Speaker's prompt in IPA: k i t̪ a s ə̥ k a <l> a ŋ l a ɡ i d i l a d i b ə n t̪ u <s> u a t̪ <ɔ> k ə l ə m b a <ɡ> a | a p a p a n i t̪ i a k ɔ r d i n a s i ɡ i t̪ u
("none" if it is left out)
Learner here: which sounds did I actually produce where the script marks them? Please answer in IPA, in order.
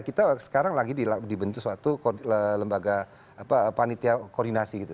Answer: ɾ, s, u, ɡ

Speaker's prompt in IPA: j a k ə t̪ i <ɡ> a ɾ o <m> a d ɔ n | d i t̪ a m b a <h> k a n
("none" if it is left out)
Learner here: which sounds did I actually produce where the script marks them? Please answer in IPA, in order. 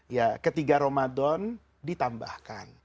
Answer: ɡ, m, h

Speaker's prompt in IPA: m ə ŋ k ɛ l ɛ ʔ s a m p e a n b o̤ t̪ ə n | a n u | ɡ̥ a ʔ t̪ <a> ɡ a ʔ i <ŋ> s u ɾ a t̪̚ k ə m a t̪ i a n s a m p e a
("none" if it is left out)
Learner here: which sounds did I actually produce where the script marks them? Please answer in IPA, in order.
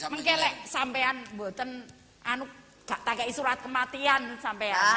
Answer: a, none

